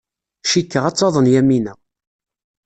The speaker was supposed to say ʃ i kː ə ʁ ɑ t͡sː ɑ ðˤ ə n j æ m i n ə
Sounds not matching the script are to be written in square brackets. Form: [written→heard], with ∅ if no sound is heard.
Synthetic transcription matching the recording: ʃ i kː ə ʁ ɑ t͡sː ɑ ðˤ ə n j æ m i n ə